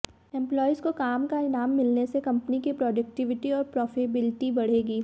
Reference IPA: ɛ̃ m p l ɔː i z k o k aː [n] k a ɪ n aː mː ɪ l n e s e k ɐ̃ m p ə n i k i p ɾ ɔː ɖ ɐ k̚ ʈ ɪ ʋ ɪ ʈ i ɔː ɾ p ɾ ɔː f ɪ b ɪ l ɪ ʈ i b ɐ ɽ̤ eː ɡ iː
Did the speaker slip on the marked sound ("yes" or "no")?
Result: yes